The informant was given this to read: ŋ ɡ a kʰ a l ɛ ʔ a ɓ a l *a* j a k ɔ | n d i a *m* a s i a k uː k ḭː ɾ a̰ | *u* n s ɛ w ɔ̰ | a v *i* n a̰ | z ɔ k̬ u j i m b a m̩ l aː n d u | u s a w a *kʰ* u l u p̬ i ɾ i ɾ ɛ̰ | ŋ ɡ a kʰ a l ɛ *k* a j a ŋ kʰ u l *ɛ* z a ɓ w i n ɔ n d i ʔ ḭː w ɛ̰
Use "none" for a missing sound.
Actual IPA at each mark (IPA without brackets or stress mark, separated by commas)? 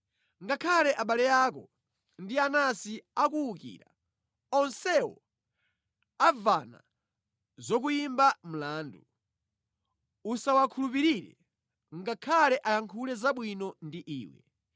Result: ɛ, n, ɔ, a, kʰ, ʔ, ɛ